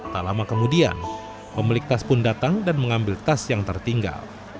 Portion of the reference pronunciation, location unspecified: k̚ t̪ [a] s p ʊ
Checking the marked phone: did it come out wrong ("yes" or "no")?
no